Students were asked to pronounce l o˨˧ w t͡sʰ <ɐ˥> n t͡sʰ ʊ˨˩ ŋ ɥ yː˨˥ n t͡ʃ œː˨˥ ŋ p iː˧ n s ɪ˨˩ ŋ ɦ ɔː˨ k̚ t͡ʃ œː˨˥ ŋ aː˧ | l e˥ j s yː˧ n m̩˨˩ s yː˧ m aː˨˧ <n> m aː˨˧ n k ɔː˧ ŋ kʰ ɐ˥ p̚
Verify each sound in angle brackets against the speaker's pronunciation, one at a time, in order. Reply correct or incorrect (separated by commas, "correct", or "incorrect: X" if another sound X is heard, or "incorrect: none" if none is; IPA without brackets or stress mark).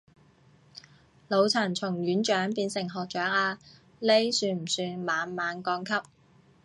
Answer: incorrect: ɐ˨˩, correct